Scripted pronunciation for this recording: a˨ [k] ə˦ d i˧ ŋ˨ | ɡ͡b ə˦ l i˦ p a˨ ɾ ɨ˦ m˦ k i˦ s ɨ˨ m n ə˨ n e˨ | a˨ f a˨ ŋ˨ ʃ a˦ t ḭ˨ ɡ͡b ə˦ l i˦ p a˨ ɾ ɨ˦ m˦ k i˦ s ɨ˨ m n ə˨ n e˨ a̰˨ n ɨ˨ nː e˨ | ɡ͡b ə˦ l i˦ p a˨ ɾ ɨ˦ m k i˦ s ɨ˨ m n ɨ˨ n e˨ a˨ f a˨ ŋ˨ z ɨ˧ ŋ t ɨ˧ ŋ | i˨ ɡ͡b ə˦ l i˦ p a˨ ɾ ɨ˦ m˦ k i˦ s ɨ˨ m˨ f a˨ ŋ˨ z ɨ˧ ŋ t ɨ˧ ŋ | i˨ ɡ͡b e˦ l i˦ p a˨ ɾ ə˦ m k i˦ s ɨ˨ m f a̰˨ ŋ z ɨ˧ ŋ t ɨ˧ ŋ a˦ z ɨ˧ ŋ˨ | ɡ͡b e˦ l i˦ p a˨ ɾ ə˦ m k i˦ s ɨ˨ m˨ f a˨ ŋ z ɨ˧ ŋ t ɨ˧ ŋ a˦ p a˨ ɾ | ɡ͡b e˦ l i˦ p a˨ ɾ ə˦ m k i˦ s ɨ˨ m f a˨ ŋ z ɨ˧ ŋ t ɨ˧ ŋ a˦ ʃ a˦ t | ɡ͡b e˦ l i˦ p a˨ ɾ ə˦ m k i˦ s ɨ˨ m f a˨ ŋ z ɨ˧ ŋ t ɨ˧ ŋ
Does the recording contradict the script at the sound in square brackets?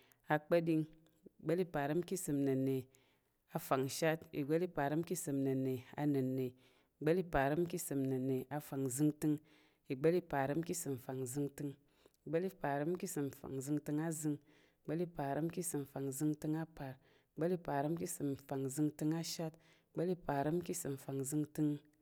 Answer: yes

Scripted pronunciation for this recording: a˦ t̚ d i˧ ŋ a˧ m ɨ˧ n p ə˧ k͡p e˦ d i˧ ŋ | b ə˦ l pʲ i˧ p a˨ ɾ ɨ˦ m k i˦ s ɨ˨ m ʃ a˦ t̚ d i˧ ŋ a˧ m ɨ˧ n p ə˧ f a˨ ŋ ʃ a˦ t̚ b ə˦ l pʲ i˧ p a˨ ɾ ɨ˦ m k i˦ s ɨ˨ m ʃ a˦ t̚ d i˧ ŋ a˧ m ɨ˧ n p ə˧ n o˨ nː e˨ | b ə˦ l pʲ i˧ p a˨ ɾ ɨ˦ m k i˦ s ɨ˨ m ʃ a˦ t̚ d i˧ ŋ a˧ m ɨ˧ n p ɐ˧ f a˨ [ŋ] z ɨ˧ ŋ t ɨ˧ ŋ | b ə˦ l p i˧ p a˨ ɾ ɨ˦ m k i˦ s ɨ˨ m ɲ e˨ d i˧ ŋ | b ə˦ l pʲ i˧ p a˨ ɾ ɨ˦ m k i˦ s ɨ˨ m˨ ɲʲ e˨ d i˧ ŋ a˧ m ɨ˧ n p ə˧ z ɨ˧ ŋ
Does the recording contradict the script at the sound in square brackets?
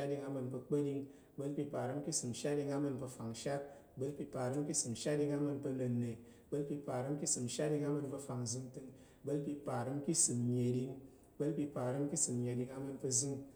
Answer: no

